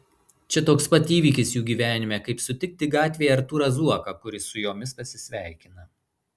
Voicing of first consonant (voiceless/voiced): voiceless